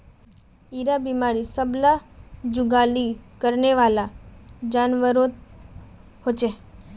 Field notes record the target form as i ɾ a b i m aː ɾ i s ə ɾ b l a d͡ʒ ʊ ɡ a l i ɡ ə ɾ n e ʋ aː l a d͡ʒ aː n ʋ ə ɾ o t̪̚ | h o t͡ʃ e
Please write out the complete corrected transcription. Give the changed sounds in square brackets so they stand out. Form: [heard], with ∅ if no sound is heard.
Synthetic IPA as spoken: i ɾ a b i m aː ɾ i s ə [∅] b l a d͡ʒ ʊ ɡ a l i [k] ə ɾ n e ʋ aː l a d͡ʒ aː n ʋ ə ɾ o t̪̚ | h o t͡ʃ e